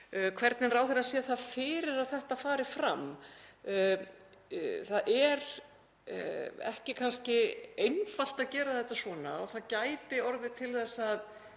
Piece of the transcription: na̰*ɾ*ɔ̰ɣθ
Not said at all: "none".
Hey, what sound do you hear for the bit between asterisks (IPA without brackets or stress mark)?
none